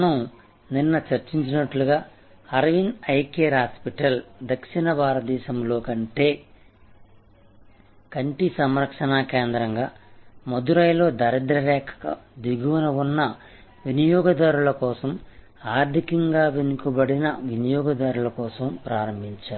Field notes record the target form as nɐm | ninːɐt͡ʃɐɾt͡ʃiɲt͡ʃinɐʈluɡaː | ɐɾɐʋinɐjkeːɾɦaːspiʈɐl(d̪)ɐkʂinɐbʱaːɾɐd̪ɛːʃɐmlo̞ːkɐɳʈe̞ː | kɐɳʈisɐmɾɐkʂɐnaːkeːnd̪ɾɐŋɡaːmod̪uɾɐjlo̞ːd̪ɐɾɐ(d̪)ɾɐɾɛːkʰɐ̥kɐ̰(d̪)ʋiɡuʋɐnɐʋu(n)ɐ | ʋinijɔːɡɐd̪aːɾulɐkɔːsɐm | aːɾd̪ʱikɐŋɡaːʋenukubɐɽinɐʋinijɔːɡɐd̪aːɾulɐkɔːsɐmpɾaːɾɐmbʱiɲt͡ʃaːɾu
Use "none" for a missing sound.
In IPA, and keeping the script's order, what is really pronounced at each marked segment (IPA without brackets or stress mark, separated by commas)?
d̪, d̪, d̪, nː